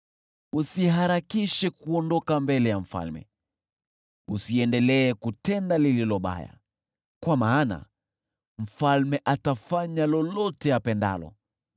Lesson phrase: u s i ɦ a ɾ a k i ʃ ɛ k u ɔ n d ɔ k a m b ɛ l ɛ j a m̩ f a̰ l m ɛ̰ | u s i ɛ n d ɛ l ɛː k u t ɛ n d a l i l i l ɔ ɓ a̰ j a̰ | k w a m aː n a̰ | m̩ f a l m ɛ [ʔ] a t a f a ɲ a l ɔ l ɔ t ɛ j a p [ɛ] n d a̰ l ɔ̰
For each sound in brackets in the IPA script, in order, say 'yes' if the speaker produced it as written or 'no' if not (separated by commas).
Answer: yes, yes